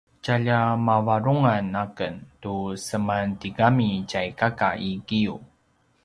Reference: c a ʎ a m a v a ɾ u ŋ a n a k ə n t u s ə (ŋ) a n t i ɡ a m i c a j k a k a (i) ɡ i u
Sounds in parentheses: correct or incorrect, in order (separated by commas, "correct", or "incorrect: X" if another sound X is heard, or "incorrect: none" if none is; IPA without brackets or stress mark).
incorrect: m, correct